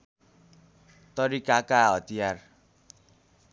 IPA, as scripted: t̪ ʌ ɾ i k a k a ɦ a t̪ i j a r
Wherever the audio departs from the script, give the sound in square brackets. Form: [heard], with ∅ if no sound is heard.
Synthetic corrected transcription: t̪ ʌ ɾ i k a k a ɦ [ʌ] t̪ i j a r